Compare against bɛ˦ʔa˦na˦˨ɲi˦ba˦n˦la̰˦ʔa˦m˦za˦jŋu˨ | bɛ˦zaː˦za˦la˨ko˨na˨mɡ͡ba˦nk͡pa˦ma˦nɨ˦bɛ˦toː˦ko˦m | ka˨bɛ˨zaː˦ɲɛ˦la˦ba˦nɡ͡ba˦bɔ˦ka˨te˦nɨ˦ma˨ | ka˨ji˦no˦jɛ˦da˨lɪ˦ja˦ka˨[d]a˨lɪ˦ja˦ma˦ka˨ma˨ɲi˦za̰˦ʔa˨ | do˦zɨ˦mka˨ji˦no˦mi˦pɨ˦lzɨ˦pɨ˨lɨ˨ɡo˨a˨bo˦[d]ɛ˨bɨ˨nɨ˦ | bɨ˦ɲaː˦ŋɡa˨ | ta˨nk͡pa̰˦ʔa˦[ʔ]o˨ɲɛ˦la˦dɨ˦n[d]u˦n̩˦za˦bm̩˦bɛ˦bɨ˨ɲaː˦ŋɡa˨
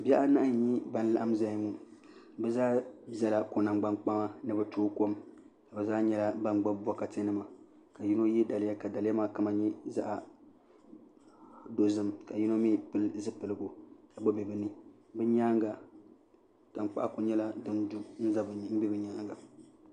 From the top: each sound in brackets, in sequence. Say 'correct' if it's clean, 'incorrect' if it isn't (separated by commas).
correct, incorrect, incorrect, correct